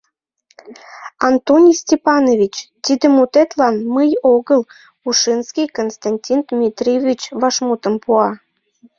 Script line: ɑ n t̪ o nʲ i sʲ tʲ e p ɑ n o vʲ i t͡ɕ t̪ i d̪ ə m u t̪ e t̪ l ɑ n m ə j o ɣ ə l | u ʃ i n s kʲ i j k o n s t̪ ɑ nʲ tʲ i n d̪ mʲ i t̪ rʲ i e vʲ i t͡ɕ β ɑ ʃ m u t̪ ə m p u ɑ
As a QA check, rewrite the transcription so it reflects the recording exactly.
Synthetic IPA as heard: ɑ n t̪ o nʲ i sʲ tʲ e p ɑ n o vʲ i t͡ɕ t̪ i d̪ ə m u t̪ e t̪ l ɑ n m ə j o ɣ ə l | u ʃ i n s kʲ i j k o n s t̪ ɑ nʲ tʲ i n d̪ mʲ i t̪ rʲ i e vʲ i t͡ɕ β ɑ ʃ m u t̪ ə m p u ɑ